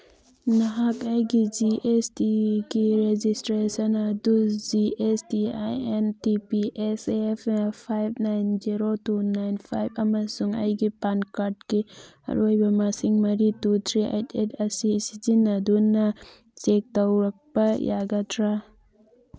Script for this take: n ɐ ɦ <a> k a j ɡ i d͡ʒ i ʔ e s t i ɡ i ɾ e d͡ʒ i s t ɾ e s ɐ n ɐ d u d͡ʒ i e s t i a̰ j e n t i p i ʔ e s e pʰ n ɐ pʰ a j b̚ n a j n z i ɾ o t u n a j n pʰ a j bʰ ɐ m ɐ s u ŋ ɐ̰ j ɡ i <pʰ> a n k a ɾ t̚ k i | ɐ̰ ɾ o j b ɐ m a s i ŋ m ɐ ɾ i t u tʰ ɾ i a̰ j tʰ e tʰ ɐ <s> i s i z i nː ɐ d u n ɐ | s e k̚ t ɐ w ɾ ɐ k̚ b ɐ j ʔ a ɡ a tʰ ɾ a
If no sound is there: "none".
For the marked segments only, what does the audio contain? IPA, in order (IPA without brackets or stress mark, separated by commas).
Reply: a, p, s